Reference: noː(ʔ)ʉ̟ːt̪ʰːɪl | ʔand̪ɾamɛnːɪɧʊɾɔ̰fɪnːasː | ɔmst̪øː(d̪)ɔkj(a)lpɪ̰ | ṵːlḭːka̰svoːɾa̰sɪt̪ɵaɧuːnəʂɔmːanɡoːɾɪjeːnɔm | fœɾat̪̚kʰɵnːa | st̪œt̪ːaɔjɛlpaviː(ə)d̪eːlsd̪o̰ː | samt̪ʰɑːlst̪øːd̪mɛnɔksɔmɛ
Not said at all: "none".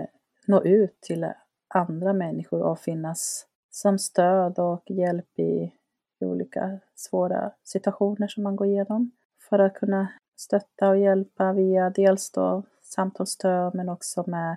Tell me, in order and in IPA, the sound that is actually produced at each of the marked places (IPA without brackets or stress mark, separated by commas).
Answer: ʔ, d̪, ɛ, a